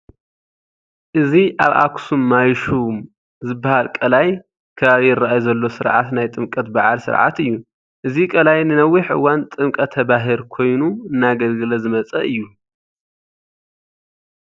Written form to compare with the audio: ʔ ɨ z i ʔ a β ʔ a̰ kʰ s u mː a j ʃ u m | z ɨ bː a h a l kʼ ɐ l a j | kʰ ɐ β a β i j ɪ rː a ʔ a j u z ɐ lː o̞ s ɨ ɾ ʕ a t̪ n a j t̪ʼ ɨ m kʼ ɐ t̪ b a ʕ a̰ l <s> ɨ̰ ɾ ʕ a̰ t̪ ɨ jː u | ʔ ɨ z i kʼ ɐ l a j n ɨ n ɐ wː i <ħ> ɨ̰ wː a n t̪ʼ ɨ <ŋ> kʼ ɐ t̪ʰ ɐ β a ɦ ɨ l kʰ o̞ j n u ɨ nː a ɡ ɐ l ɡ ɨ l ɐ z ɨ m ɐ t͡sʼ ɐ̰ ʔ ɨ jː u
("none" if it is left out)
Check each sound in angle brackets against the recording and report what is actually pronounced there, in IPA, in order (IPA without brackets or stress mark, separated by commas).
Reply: s, ħ, m